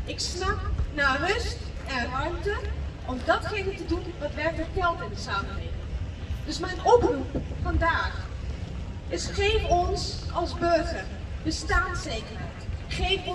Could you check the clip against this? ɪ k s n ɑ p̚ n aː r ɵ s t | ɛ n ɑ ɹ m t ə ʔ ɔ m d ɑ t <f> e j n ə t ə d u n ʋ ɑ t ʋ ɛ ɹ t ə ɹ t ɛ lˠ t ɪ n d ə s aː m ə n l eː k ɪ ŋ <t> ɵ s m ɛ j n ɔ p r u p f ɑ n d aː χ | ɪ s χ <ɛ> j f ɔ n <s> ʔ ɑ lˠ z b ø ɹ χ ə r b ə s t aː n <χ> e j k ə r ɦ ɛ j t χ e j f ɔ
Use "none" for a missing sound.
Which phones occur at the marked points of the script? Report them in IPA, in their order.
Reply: χ, d, e, s, s

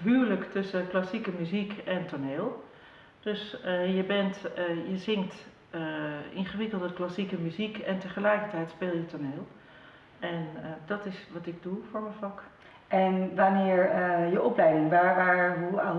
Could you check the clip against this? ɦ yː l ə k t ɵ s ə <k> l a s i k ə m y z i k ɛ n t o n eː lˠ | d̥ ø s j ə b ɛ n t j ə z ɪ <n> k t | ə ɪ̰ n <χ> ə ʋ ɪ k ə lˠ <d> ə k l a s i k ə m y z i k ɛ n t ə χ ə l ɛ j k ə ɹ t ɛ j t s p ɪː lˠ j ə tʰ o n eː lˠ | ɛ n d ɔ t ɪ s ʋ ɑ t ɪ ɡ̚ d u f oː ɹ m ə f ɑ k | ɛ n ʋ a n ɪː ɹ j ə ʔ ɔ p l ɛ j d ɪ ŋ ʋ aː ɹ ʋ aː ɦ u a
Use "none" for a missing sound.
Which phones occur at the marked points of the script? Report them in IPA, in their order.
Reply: k, ŋ, χ, d

